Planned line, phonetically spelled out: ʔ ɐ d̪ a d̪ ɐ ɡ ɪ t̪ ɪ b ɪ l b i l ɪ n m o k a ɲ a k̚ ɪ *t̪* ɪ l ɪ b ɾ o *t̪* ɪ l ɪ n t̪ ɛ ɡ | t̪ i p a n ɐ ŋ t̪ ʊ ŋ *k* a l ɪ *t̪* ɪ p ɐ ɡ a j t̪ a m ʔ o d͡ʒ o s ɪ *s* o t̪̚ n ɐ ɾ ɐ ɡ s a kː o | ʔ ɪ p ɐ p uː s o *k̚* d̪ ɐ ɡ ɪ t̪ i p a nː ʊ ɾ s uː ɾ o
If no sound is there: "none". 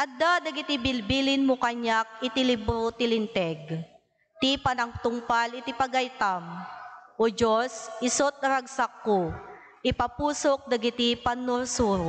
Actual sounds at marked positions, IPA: t̪, t̪, p, t̪, s, k̚

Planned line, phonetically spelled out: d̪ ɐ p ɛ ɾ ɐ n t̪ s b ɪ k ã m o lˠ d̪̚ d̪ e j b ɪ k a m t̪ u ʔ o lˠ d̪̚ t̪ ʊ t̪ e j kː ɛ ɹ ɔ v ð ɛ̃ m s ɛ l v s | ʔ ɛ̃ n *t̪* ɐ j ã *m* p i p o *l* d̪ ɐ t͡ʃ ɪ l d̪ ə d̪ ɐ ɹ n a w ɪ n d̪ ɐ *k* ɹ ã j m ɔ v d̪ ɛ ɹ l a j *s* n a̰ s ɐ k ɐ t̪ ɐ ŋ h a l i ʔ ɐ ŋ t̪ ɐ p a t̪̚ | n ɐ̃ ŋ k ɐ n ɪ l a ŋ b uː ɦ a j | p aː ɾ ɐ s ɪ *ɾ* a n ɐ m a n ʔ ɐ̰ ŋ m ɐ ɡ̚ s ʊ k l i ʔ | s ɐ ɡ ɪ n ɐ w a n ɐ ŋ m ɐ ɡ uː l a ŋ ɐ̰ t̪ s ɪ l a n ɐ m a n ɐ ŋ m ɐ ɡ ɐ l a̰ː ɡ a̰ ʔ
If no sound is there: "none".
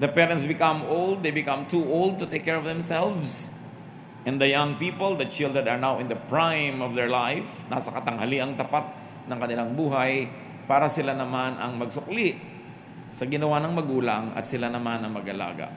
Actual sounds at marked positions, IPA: d̪, ŋ, l, p, f, l

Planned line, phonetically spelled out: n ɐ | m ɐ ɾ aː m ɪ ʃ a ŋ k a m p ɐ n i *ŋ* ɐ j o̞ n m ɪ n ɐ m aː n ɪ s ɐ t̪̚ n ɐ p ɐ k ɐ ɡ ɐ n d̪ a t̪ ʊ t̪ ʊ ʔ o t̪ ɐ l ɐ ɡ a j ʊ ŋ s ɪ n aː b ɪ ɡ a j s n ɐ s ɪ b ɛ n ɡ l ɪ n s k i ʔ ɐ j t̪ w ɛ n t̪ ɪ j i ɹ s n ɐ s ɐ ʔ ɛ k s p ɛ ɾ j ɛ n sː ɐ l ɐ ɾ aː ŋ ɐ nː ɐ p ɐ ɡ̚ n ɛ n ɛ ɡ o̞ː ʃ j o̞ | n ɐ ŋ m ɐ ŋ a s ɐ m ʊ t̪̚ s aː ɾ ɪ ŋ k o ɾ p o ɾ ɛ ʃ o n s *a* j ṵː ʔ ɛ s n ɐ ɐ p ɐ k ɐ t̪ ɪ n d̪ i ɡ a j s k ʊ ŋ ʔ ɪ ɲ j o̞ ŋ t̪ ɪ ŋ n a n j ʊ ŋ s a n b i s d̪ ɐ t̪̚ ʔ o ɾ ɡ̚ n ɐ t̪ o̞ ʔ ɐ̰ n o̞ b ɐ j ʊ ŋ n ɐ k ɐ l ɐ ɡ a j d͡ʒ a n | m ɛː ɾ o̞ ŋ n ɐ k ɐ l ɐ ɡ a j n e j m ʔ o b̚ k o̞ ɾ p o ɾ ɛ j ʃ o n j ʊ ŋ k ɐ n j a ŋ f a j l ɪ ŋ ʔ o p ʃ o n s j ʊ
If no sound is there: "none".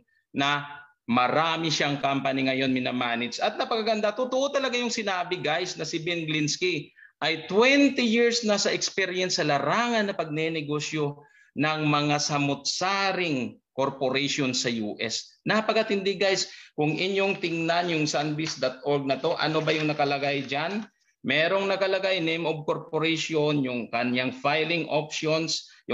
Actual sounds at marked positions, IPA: ŋ, ɐ

